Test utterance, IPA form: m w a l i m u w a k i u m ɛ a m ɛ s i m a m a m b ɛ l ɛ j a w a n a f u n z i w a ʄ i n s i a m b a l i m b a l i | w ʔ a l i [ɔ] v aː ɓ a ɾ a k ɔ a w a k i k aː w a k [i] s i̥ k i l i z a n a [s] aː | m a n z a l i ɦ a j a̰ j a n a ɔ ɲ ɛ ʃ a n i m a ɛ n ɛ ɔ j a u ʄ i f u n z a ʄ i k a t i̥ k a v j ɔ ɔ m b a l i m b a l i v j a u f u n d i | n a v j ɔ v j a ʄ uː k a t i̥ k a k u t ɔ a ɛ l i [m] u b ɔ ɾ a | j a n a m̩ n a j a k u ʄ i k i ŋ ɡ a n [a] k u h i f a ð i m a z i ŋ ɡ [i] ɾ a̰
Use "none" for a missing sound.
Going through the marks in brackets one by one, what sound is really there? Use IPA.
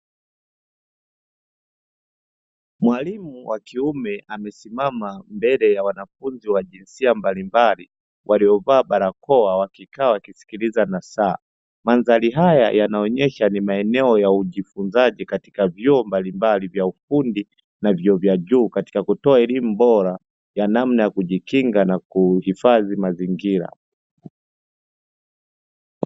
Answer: ɔ, i, s, m, a, i

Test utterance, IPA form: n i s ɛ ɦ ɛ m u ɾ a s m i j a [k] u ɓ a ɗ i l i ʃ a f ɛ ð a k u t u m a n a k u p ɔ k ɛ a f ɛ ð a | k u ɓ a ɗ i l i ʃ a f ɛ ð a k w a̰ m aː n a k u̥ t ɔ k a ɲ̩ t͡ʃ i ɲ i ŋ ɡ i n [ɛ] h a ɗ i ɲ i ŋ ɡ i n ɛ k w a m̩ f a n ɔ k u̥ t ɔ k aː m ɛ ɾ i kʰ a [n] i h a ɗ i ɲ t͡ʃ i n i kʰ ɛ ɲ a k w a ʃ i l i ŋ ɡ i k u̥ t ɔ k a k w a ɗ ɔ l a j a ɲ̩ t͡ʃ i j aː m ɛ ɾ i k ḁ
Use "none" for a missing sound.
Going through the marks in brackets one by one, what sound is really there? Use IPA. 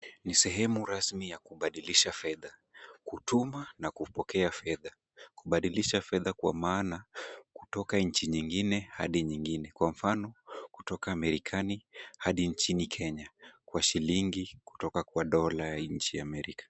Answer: k, ɛ, n

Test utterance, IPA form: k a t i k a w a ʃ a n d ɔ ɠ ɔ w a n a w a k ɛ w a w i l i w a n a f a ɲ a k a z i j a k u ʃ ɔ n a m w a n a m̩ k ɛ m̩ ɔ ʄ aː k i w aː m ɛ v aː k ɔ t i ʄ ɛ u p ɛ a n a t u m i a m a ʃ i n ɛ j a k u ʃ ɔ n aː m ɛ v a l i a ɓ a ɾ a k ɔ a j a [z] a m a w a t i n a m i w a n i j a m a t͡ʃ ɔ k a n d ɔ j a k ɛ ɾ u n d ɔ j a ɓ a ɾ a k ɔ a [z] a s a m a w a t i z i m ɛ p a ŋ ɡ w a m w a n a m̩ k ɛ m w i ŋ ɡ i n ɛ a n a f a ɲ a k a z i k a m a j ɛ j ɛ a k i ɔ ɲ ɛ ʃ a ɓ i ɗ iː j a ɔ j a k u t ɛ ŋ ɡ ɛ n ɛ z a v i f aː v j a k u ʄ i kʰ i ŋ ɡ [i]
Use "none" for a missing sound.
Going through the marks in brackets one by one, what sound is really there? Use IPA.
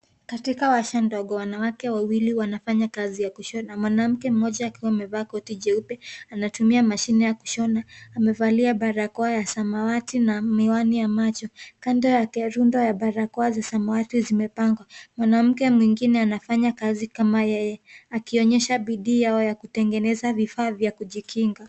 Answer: s, z, a

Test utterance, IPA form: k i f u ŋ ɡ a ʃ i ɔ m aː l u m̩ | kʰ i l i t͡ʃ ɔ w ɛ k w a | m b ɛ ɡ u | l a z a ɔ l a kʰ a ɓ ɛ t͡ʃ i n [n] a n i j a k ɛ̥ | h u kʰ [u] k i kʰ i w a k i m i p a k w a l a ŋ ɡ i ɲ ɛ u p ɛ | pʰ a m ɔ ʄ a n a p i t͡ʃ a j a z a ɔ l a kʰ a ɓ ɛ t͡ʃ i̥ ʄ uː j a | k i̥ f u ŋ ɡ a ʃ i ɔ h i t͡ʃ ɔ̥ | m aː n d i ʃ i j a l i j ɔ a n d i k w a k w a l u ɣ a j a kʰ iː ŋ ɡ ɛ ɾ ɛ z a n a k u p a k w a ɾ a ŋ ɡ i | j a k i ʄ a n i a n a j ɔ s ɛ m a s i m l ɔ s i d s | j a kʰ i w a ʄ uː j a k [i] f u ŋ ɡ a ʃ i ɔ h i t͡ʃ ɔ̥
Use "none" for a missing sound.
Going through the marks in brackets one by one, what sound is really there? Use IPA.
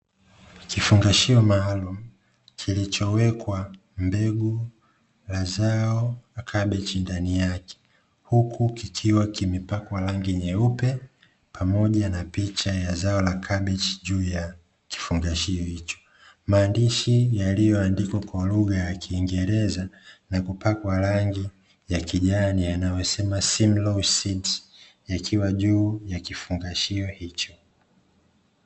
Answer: d, u, i

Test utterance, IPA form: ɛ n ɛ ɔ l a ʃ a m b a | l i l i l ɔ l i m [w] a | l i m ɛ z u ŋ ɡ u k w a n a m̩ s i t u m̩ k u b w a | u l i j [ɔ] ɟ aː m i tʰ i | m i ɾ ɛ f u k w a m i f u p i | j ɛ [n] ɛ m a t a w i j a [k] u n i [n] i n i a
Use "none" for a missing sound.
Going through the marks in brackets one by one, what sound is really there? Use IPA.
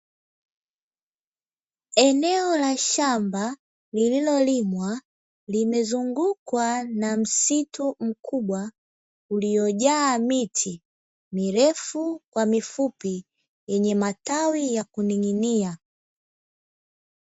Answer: w, ɔ, ɲ, k, ŋ

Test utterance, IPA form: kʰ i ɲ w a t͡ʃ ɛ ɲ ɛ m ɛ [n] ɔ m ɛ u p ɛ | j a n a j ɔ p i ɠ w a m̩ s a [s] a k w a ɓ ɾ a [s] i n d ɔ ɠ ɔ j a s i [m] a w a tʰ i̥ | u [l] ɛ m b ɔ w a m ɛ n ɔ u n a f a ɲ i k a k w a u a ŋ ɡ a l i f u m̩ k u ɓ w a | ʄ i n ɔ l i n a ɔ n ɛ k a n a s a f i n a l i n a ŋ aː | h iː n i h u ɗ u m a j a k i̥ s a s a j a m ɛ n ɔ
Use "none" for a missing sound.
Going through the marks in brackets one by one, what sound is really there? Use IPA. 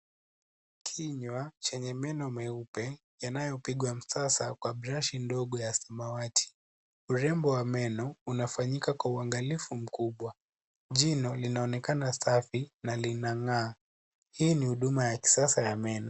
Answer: n, s, ʃ, m, ɾ

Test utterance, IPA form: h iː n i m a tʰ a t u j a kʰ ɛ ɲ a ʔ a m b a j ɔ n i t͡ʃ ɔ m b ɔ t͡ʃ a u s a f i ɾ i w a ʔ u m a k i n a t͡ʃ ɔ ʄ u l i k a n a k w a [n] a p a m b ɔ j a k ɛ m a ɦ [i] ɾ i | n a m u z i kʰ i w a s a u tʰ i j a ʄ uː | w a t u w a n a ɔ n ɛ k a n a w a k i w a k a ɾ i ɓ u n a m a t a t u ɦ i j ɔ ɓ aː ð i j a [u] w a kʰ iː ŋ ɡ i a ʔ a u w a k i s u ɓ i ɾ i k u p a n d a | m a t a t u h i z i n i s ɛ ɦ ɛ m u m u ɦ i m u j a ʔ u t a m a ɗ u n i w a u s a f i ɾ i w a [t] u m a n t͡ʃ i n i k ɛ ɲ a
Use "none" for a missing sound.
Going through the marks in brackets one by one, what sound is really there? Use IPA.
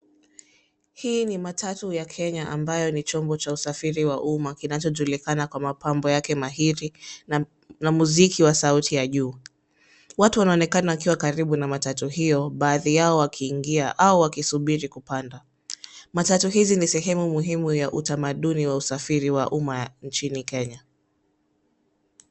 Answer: m, i, ɔ, ʔ

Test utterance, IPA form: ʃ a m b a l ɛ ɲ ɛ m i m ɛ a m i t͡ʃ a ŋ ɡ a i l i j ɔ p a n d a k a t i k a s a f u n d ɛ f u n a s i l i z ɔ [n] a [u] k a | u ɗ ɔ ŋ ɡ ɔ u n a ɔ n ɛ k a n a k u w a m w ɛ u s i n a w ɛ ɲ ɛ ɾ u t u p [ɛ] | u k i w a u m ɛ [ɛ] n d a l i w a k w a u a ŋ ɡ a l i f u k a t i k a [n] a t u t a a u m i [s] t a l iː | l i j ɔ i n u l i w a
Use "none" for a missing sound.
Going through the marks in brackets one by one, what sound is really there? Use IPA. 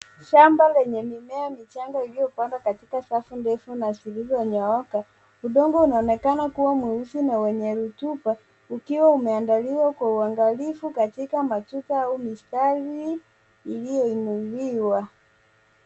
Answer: ɲ, ɔ, a, a, m, s

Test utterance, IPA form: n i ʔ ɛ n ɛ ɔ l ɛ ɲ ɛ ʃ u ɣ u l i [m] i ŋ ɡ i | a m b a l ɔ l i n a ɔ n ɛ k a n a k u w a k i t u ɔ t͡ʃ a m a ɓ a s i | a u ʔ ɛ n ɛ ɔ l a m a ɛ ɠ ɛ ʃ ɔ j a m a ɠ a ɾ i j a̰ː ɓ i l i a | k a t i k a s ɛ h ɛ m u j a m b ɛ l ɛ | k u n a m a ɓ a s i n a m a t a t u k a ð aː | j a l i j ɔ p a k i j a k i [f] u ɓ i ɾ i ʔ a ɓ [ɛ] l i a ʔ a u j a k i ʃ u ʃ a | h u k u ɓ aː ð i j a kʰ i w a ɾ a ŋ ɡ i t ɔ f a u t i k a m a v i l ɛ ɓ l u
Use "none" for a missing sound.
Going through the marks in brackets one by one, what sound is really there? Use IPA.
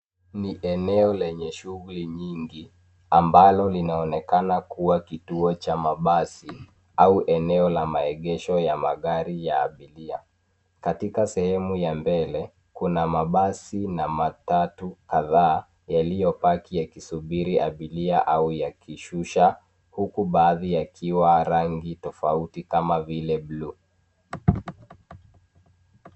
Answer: ɲ, s, i

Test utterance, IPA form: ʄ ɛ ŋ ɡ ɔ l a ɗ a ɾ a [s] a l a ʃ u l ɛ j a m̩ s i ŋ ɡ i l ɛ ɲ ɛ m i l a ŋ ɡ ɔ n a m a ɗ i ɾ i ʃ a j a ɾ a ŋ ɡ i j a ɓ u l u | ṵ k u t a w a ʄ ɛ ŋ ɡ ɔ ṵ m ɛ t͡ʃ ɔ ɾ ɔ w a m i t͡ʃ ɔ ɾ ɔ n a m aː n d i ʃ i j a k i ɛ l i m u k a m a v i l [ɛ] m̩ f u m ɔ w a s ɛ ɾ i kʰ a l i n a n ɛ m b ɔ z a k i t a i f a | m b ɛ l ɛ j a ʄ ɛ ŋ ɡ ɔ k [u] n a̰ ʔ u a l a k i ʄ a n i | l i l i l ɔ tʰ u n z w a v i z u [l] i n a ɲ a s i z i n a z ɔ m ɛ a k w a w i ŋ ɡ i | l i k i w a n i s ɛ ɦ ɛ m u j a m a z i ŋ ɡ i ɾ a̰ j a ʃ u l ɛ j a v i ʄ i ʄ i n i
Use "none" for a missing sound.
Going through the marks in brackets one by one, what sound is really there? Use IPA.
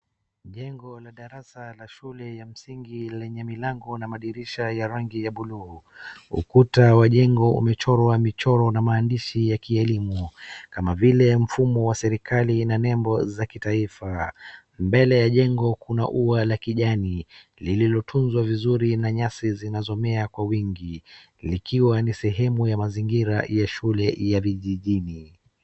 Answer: s, ɛ, u, ɾ

